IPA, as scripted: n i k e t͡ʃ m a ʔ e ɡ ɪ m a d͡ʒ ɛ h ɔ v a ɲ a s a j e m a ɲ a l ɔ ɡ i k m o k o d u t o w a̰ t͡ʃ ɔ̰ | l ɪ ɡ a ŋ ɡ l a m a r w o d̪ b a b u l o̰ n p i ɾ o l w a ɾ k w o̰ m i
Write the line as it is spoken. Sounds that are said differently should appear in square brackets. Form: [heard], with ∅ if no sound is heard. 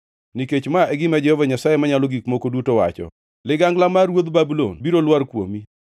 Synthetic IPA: n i k e t͡ʃ m a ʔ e ɡ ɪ m a d͡ʒ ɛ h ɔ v a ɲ a s a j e m a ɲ a l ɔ ɡ i k m o k o d u t o w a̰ t͡ʃ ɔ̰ | l ɪ ɡ a ŋ ɡ l a m a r w o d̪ b a b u l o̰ n [b] i ɾ o l w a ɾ k w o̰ m i